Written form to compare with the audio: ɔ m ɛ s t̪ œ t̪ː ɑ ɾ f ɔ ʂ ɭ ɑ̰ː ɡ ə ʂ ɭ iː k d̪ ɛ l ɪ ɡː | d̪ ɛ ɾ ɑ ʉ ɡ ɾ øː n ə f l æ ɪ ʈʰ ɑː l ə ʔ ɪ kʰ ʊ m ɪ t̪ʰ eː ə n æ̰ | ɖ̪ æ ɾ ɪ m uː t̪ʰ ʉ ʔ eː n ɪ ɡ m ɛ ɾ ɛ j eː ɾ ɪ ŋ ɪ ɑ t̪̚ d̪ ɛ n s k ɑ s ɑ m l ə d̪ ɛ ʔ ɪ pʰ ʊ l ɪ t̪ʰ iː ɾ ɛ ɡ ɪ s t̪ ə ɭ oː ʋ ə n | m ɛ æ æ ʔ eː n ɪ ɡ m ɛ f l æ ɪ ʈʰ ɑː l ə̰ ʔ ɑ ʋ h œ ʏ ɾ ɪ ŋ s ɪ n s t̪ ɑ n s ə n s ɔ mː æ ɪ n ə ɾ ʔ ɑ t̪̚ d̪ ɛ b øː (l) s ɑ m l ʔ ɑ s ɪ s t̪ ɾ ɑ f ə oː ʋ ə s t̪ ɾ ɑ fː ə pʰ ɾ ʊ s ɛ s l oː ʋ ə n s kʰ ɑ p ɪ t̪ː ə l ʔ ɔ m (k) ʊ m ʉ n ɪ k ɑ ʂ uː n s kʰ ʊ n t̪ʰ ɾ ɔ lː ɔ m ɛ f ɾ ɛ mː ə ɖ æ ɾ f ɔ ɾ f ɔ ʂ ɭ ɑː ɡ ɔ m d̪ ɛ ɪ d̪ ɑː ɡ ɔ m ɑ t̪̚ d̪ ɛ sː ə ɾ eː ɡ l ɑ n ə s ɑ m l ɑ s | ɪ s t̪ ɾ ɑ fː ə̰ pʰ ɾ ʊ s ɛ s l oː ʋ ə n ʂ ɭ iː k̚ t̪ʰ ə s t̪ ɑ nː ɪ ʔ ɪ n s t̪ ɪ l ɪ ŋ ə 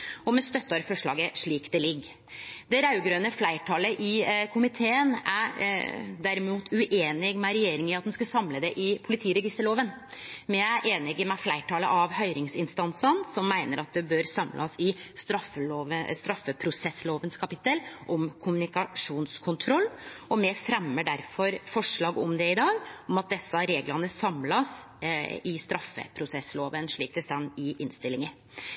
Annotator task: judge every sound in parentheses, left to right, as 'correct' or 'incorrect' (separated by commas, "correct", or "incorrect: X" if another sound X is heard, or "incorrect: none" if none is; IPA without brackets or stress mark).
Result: incorrect: ɾ, incorrect: kʰ